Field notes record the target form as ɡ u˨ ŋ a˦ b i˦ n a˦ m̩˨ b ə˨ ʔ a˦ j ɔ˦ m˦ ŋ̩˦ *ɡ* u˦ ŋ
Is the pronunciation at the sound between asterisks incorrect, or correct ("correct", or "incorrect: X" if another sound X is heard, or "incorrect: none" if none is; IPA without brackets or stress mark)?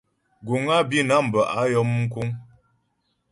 incorrect: k